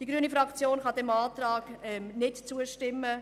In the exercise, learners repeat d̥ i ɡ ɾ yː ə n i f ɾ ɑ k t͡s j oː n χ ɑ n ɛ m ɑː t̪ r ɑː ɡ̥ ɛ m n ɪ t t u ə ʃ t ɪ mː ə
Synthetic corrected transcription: d̥ i ɡ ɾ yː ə n i f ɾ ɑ k t͡s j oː n χ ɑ d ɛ m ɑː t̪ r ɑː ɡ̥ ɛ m n ɪ t t͡s u ə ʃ t ɪ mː ə

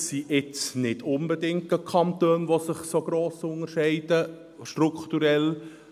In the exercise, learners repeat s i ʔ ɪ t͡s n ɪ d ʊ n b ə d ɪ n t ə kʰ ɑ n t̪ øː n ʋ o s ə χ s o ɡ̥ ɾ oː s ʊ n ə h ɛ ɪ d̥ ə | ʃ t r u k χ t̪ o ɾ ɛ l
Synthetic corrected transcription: s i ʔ ɪ t͡s n ɪ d ʊ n b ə d ɪ ŋ t ə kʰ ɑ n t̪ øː n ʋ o s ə χ s o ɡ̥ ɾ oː s ʊ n ə ʃ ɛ ɪ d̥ ə | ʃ t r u k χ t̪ u ɾ ɛ l

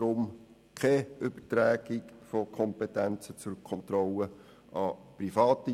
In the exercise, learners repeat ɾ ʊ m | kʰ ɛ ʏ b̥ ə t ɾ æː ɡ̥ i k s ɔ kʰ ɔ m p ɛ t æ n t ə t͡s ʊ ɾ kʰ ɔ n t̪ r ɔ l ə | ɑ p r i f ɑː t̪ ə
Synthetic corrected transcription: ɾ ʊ m | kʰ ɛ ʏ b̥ ə t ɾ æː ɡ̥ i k f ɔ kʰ ɔ m p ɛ t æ n t͡s ə t͡s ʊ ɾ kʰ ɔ n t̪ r ɔ l ə | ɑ p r i f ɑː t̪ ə

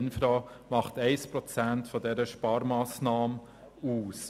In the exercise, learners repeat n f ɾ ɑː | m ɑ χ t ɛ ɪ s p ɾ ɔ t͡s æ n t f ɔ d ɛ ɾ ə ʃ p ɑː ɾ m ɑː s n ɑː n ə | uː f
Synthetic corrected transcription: n f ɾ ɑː | m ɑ χ t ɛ ɪ s p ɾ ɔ t͡s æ n t f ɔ d ɛ ɾ ə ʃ p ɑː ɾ m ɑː s n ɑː m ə | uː s

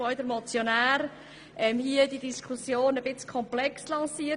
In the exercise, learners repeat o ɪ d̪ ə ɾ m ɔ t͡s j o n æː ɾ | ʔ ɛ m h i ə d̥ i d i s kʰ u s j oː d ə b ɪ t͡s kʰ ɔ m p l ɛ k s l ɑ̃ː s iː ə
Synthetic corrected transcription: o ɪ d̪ ə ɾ m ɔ t͡s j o n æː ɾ | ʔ ɛ m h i ə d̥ i d i s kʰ u s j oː n ə b ɪ t͡s kʰ ɔ m p l ɛ k s l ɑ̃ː s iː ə

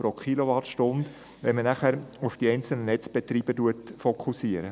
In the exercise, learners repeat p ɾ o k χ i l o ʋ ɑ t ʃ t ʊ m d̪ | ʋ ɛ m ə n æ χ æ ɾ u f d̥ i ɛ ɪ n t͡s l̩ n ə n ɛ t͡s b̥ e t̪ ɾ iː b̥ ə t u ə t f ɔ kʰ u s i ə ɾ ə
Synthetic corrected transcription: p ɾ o k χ i l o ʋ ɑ t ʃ t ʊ n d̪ | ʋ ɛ m ə n æ χ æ ɾ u f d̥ i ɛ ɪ n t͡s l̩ n ə n ɛ t͡s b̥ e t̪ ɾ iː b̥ ə t u ə t f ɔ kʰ u s i ə ɾ ə

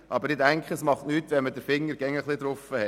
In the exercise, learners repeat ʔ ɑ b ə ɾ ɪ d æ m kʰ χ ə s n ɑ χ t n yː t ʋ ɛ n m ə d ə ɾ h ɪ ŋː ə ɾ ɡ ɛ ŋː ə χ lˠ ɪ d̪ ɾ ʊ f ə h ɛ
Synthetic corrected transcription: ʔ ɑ b ə ɾ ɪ d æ ŋ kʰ χ ə s m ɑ χ t n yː t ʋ ɛ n m ə d ə ɾ f ɪ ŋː ə ɾ ɡ ɛ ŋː ə χ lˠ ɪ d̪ ɾ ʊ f ə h ɛ

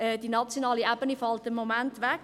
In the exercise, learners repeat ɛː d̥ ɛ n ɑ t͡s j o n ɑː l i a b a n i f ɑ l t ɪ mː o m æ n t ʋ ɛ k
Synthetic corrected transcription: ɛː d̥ i n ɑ t͡s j o n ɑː l i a b ə n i f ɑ l t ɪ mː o m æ n t ʋ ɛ k

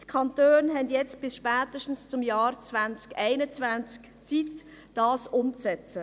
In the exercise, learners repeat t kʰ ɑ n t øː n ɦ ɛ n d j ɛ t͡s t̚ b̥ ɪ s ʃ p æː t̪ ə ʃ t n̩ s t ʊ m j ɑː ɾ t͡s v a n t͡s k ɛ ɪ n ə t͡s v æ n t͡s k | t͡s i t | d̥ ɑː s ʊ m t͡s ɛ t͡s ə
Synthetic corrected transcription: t kʰ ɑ n t øː n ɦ ɛ n d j ɛ t͡s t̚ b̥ ɪ s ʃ p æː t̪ ə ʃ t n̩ s t͡s ʊ m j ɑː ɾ t͡s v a n t͡s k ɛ ɪ n ə t͡s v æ n t͡s k | t͡s i t | d̥ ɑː s ʊ m t͡s ɛ t͡s ə

